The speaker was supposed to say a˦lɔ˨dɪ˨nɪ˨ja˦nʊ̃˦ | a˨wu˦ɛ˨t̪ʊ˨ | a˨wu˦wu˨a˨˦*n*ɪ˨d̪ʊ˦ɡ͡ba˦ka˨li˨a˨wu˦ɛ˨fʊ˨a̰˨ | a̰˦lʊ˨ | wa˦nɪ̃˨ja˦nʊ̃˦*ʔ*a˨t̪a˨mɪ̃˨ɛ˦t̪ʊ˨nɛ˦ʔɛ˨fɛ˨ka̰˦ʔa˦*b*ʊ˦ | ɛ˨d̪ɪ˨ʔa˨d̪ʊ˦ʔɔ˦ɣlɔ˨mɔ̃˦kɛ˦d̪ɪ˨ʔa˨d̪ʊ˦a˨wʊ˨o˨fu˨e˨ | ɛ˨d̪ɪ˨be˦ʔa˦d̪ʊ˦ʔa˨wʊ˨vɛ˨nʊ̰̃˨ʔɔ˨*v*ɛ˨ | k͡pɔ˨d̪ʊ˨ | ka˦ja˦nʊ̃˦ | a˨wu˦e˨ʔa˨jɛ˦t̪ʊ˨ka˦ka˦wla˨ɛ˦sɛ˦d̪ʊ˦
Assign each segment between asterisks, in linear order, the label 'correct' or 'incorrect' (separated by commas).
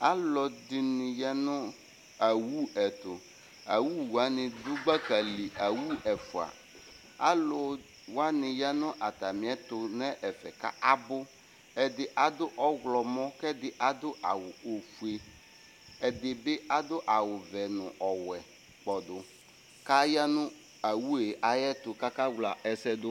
correct, correct, correct, incorrect